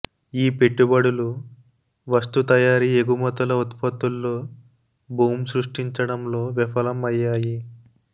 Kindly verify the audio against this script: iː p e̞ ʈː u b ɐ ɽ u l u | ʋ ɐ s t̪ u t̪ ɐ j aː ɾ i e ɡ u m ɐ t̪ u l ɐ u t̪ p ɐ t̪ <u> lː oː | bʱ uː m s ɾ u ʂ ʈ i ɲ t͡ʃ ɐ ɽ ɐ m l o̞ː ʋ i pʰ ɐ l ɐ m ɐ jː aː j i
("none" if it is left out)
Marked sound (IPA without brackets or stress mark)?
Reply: u